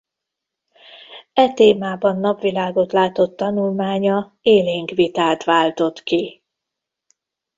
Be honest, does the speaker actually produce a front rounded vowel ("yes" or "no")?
no